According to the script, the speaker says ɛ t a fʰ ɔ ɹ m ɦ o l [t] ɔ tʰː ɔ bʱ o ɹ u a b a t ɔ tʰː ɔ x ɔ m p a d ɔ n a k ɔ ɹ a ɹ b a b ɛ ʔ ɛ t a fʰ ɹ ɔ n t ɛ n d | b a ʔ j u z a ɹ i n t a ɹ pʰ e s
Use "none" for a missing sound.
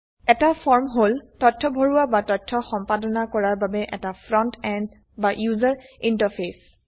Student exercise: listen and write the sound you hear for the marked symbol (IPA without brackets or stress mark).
t